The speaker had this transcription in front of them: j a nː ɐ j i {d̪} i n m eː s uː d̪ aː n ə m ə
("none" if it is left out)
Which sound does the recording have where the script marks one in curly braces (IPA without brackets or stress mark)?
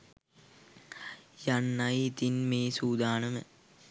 t̪